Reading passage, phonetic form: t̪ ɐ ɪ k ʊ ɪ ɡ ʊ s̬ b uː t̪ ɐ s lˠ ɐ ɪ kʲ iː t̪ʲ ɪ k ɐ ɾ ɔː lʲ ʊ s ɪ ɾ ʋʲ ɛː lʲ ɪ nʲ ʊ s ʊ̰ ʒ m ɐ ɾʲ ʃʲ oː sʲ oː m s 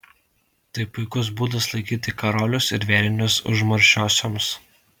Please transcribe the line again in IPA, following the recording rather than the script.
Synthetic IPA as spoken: t̪ ɐ ɪ p ʊ ɪ k ʊ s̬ b uː d̪ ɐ s lˠ ɐ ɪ kʲ iː t̪ʲ ɪ k ɐ ɾ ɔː lʲ ʊ s ɪ ɾ ʋʲ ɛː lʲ ɪ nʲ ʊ s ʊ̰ ʒ m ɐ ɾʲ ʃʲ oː sʲ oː m s